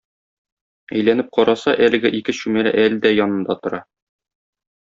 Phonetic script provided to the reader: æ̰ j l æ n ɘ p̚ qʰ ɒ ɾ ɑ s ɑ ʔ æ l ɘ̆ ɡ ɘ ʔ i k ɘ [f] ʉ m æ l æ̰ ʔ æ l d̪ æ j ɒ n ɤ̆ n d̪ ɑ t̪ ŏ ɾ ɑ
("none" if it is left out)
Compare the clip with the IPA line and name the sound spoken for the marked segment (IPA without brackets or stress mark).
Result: ɕ